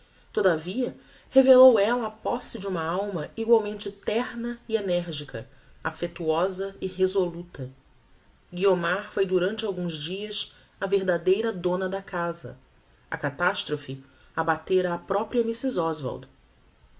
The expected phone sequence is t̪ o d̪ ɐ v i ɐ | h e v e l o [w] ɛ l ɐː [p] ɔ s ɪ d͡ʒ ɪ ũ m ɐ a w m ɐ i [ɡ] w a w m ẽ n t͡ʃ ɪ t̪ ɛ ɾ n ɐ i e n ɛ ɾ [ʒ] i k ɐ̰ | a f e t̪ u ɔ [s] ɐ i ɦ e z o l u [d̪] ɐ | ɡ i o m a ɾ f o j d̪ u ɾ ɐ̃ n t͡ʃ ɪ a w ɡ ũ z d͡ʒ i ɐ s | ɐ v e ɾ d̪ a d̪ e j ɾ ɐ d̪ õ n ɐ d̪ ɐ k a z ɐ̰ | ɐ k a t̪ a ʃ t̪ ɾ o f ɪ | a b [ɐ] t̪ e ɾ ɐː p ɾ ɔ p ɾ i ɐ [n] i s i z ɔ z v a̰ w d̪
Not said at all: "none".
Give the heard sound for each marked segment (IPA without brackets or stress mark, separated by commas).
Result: w, p, ɡ, ʒ, z, t̪, a, m